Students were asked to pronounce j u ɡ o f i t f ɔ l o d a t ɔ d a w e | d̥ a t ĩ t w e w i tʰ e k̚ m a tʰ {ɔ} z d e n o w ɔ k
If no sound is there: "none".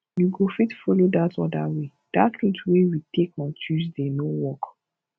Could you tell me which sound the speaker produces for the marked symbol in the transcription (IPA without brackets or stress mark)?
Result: u